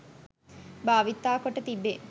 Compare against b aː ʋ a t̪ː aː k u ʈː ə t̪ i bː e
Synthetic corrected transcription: b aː ʋ i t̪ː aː k o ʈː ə t̪ i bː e